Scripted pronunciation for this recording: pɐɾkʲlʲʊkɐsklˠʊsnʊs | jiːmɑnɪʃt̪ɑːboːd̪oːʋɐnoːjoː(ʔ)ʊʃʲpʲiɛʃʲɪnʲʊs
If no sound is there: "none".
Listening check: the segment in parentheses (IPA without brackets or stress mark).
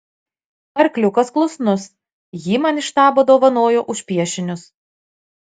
ʔ